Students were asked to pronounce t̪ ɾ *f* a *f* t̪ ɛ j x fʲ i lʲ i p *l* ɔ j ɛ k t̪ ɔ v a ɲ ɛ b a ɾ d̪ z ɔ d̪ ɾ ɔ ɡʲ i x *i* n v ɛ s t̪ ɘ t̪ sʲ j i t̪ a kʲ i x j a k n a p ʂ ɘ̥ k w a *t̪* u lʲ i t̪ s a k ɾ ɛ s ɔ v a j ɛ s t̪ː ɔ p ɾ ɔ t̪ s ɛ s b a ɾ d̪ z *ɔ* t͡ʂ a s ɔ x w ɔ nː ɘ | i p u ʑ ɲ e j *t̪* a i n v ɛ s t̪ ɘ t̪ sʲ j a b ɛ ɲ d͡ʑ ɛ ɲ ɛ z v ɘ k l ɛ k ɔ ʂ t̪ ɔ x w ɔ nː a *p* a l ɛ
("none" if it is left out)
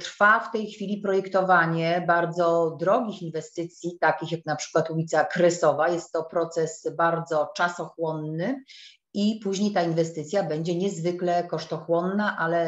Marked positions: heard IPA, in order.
f, f, ɾ, i, t̪, ɔ, t̪, ʔ

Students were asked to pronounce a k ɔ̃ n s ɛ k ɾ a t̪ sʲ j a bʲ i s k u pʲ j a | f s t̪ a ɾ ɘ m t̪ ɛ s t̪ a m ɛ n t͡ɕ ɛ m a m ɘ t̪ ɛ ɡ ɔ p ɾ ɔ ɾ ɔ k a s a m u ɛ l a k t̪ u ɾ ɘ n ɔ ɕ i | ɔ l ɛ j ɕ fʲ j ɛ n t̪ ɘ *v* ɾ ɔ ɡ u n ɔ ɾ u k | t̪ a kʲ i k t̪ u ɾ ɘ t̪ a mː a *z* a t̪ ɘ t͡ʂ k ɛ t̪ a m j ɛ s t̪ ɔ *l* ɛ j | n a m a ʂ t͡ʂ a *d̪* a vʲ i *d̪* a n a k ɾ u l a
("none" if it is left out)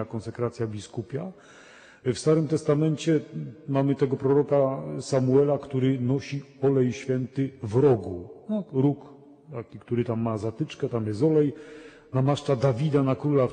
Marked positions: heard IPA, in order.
v, z, l, d̪, d̪

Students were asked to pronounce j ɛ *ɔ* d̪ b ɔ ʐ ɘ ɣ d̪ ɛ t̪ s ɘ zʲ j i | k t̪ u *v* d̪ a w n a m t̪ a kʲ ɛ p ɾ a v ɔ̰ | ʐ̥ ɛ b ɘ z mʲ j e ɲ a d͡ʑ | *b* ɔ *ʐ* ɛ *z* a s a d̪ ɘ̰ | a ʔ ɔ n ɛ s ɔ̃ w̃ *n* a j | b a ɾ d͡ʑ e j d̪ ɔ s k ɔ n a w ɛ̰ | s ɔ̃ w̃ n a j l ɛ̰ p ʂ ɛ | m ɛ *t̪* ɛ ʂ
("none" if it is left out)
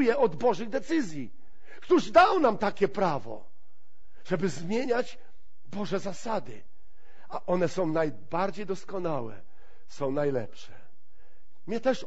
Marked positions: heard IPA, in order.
ɔ, ʐ, b, ʐ, z, n, t̪

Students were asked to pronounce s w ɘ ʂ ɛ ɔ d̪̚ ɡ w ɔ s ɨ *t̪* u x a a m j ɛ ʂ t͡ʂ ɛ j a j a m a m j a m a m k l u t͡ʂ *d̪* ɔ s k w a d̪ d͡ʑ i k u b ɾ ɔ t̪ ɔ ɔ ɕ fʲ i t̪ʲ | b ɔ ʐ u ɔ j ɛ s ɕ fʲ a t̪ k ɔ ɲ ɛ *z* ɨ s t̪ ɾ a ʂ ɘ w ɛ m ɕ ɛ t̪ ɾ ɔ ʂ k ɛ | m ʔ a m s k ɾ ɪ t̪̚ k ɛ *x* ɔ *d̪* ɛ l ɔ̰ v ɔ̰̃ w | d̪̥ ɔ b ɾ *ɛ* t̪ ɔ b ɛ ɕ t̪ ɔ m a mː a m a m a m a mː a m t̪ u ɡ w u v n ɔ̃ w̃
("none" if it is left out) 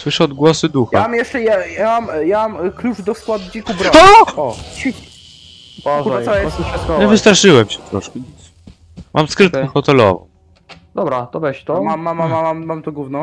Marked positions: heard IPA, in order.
d̪, d̪, v, x, t̪, a

